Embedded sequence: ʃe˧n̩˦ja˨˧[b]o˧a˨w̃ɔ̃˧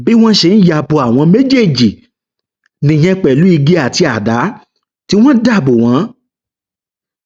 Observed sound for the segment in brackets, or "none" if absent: b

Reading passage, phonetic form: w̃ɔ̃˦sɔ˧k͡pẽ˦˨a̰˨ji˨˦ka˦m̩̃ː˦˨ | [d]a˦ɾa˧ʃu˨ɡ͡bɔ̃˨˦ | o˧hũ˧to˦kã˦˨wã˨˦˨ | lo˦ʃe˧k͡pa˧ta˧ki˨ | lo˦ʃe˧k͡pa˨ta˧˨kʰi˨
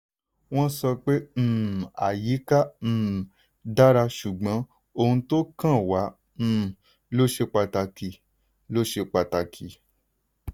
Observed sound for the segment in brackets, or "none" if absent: d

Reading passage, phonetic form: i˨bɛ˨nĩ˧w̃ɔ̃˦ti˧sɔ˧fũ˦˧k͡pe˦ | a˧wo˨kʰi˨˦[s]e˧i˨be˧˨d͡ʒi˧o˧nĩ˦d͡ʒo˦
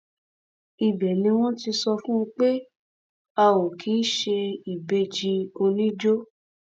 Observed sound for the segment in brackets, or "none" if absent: ʃ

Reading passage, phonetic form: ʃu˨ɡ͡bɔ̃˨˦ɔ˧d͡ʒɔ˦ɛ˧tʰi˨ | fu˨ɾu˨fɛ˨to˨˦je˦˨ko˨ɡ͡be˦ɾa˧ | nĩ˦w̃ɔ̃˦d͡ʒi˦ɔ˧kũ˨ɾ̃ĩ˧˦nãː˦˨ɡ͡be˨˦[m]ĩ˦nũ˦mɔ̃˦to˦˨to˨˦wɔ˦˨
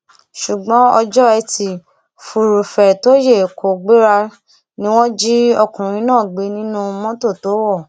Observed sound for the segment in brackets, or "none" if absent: n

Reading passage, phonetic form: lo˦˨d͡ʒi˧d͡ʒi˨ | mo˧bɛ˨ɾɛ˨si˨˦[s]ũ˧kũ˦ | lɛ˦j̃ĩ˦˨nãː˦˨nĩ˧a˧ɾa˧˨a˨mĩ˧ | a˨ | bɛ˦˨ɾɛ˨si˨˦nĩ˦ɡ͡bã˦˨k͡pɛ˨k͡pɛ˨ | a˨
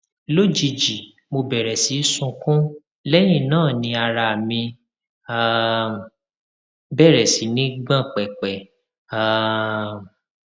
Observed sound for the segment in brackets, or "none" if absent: s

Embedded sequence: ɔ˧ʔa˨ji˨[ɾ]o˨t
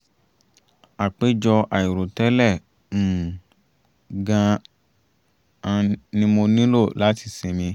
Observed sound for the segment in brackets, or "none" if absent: ɾ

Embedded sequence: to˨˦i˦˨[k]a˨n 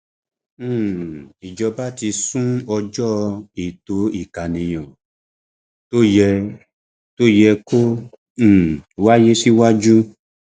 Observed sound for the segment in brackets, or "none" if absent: k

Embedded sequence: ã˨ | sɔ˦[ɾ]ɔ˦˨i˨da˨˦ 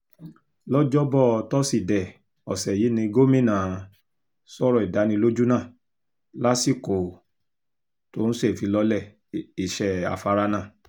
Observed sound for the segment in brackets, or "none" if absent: ɾ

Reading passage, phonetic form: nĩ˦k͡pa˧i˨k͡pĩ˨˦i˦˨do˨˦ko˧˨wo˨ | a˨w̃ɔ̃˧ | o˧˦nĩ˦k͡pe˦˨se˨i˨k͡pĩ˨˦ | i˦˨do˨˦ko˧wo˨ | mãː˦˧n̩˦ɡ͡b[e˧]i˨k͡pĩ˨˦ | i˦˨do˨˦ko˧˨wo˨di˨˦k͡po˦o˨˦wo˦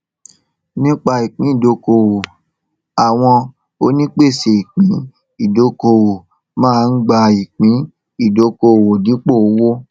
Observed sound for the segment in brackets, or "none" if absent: a˧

